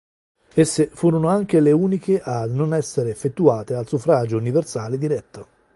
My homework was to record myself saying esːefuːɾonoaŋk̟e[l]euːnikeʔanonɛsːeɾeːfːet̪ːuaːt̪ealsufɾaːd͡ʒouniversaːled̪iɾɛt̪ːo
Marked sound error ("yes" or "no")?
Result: no